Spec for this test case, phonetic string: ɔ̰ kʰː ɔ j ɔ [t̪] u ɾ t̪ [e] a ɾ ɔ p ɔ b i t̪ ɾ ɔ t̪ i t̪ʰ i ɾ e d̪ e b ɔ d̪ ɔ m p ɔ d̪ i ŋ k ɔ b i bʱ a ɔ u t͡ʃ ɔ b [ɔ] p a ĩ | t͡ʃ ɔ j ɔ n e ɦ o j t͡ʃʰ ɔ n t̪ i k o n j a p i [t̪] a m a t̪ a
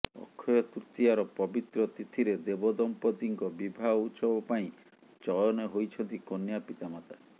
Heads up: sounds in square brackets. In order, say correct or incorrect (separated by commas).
correct, incorrect, correct, correct